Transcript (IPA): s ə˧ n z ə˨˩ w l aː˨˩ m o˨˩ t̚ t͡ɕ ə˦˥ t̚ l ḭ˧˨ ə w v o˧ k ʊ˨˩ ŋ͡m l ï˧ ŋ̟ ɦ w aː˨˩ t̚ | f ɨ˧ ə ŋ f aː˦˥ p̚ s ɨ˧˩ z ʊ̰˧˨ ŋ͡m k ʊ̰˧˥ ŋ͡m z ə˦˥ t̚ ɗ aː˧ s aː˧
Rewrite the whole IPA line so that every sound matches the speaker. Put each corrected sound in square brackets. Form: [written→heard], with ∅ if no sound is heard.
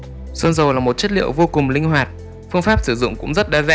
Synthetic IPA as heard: s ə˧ n z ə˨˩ w l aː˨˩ m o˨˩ t̚ t͡ɕ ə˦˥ t̚ l ḭ˧˨ ə w v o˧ k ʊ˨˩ ŋ͡m l ï˧ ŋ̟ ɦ w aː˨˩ t̚ | f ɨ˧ ə ŋ f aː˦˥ p̚ s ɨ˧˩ z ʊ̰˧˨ ŋ͡m k ʊ̰˧˥ ŋ͡m z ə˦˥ t̚ ɗ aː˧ [s→z] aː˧